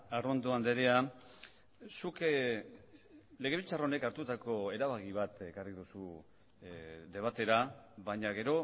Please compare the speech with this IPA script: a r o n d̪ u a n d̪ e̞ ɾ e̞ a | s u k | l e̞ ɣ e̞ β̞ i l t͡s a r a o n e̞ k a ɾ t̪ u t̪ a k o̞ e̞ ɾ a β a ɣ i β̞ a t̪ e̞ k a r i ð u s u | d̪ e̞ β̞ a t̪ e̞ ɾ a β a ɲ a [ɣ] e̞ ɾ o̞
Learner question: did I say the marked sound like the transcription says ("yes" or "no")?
yes